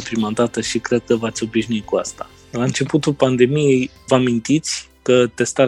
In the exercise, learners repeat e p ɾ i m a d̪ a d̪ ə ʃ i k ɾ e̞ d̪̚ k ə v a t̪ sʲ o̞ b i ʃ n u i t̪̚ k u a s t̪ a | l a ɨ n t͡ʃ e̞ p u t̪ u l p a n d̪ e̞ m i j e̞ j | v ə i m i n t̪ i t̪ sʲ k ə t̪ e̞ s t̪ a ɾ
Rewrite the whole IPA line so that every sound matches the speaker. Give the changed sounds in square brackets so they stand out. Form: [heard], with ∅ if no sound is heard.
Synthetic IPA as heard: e p ɾ i m a d̪ a [t̪] ə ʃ i k ɾ e̞ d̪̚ k ə v a t̪ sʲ o̞ b i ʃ n u i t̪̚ k u a s t̪ a | l a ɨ n t͡ʃ e̞ p u t̪ u l p a n d̪ e̞ m i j e̞ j | v ə [a] m i n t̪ i t̪ sʲ k ə t̪ e̞ s t̪ a ɾ